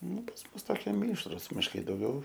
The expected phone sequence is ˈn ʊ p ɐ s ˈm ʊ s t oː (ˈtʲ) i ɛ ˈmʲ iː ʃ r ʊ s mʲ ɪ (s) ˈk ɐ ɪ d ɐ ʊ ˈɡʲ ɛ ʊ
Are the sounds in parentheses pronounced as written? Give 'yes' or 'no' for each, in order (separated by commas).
no, no